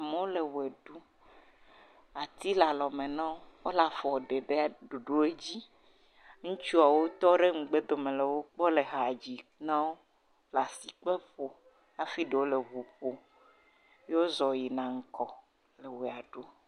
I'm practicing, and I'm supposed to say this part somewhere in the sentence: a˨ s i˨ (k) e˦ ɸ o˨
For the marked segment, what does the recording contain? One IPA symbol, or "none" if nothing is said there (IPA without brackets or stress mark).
k͡p